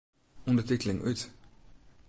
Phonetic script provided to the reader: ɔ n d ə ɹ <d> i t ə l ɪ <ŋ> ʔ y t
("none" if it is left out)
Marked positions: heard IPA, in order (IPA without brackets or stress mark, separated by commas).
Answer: t, ŋ